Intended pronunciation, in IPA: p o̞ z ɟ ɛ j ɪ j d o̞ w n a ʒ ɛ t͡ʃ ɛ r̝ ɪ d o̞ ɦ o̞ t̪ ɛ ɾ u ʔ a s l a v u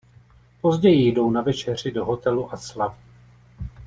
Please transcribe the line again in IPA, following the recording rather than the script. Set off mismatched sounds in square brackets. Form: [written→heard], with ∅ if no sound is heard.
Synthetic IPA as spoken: p o̞ z ɟ ɛ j ɪ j d o̞ w n a [ʒ→v] ɛ t͡ʃ ɛ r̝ ɪ d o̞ ɦ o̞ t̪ ɛ [ɾ→l] u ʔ a s l a v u

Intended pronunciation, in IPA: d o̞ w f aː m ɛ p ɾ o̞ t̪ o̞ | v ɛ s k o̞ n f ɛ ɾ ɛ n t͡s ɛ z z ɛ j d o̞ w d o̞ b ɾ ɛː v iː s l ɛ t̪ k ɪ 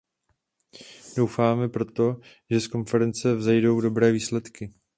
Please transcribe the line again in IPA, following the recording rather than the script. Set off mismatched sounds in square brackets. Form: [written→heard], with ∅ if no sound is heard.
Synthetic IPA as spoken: d o̞ w f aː m ɛ p ɾ o̞ t̪ o̞ | [v→ʒ] ɛ s k o̞ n f ɛ ɾ ɛ n t͡s ɛ [z→v] z ɛ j d o̞ w d o̞ b ɾ ɛː v iː s l ɛ t̪ k ɪ

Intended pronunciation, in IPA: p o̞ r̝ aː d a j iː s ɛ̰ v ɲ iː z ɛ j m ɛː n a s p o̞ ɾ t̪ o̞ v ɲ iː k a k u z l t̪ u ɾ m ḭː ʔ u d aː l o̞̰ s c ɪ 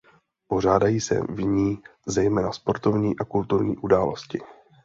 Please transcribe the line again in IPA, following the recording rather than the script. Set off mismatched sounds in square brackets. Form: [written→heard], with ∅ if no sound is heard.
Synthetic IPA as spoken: p o̞ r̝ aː d a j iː s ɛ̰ v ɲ iː z ɛ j m ɛː n a s p o̞ ɾ t̪ o̞ v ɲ iː [k→ʔ] a k u [z→∅] l t̪ u ɾ [m→ɲ] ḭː ʔ u d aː l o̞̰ s c ɪ

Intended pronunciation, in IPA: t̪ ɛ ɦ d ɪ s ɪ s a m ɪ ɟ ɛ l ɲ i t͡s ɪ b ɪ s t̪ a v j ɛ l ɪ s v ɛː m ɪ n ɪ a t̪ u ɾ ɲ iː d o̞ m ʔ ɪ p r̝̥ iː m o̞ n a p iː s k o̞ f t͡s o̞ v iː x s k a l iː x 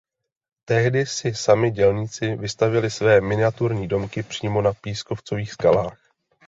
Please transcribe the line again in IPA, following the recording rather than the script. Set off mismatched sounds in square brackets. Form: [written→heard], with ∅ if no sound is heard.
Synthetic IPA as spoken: t̪ ɛ ɦ d ɪ s ɪ s a m ɪ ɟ ɛ l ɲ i t͡s ɪ [b→v] ɪ s t̪ a v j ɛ l ɪ s v ɛː m ɪ n ɪ a t̪ u ɾ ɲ iː d o̞ m [ʔ→k] ɪ p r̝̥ iː m o̞ n a p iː s k o̞ f t͡s o̞ v iː x s k a l [iː→aː] x

